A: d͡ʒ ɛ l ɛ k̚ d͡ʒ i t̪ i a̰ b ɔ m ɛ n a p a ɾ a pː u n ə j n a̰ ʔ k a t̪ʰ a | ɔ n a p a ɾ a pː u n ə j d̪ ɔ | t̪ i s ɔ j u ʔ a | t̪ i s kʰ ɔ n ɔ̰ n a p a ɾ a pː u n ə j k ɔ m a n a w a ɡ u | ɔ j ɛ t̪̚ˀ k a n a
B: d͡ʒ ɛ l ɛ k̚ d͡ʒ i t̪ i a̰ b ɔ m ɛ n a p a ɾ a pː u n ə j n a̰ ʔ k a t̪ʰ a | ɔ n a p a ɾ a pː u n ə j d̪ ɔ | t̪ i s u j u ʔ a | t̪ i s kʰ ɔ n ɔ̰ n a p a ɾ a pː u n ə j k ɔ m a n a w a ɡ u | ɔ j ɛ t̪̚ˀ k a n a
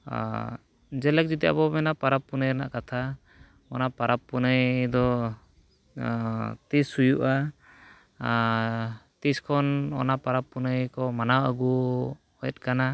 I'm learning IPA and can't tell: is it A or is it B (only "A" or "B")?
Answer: B